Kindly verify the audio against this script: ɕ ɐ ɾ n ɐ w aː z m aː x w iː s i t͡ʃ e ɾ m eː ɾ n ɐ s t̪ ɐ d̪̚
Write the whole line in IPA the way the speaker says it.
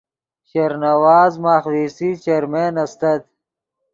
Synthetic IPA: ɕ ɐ ɾ n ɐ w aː z m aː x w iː s i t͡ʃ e ɾ m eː n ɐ s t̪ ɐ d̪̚